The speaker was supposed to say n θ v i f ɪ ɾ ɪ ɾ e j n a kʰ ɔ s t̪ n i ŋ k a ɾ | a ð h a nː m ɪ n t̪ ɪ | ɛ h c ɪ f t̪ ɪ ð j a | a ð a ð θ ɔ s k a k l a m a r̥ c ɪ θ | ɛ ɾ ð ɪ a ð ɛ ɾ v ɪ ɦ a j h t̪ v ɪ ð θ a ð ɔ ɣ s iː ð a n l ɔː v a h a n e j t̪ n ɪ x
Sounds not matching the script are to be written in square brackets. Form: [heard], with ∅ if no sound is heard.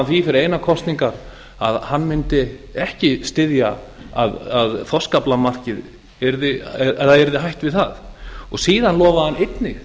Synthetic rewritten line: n θ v i f ɪ ɾ ɪ ɾ e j n a kʰ ɔ s t̪ n i ŋ k a ɾ | a ð h a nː m ɪ n t̪ ɪ | ɛ h c ɪ [s] t̪ ɪ ð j a | a ð a ð θ ɔ s k a [p] l a m a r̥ c ɪ [ð] | ɛ ɾ ð ɪ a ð ɛ ɾ [ð] ɪ ɦ a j h t̪ v ɪ ð θ a ð ɔ ɣ s iː ð a n l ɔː v a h a n e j t̪ n ɪ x